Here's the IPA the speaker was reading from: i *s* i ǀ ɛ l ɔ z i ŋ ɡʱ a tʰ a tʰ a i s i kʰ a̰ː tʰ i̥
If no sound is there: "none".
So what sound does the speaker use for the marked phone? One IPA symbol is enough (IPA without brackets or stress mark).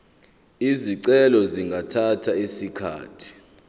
z